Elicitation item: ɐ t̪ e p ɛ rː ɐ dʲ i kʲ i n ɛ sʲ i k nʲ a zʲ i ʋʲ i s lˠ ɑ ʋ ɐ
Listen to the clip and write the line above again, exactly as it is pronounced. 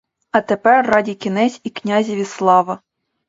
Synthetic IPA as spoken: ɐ t̪ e p ɛ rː ɑ dʲ i kʲ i n ɛ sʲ i k nʲ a zʲ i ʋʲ i s lˠ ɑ ʋ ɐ